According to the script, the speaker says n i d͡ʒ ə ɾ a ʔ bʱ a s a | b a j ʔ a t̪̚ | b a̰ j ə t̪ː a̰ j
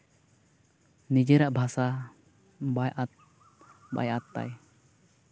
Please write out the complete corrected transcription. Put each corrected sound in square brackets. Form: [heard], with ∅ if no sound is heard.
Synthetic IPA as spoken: n i d͡ʒ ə ɾ a ʔ bʱ a s a | b a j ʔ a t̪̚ | b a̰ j [a] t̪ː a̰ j